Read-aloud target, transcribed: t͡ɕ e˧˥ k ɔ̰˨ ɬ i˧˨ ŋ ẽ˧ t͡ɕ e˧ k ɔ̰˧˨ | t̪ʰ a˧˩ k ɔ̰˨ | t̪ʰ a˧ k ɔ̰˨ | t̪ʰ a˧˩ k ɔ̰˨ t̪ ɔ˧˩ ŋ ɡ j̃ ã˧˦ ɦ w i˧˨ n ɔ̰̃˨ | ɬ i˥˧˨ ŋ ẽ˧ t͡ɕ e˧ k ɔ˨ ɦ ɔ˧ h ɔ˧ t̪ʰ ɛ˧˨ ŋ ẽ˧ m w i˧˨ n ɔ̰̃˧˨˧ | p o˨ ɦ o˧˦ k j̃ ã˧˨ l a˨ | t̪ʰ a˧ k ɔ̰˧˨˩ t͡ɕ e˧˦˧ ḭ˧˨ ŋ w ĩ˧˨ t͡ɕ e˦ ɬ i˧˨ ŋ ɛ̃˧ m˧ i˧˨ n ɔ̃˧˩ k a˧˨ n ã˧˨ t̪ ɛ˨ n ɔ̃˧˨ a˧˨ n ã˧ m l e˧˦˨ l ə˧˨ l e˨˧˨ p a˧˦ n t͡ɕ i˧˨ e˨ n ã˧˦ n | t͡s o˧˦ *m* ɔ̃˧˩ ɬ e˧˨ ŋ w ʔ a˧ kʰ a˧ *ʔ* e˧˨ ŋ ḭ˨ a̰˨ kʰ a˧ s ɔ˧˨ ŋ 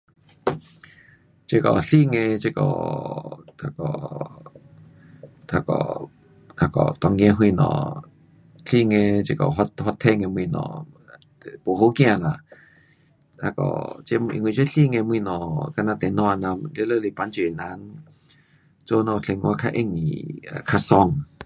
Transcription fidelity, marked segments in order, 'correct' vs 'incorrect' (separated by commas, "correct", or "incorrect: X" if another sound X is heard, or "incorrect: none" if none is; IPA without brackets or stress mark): incorrect: n, correct